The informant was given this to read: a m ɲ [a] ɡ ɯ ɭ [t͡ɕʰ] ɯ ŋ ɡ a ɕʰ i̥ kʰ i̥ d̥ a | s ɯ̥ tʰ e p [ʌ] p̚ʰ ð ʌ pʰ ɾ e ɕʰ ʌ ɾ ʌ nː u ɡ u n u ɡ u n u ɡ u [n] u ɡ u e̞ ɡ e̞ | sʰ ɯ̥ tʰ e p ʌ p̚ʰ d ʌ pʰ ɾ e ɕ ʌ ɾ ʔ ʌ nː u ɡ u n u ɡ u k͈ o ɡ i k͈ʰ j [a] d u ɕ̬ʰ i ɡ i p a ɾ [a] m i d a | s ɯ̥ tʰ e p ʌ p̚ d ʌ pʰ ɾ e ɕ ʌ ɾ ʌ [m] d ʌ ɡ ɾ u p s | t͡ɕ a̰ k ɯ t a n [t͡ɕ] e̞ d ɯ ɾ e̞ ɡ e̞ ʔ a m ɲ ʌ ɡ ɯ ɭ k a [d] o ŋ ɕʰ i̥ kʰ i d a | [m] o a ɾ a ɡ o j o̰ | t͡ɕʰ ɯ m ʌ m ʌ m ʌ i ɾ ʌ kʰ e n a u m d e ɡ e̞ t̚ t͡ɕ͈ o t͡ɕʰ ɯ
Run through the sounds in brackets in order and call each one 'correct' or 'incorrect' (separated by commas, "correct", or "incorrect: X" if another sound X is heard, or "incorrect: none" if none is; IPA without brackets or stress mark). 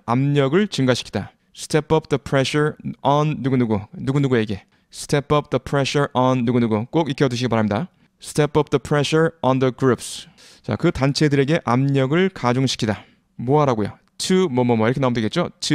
incorrect: ʌ, incorrect: t͡ɕ, correct, correct, incorrect: ʌ, correct, incorrect: n, incorrect: t͡ɕʰ, incorrect: d͡ʑ, correct